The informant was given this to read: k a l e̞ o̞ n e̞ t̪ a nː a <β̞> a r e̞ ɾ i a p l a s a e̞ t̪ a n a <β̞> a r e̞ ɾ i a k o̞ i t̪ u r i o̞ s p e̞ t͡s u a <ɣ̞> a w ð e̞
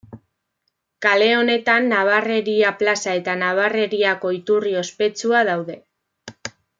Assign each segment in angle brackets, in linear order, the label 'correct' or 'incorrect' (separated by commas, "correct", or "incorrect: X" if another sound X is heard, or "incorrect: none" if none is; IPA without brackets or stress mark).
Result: correct, correct, incorrect: ð̞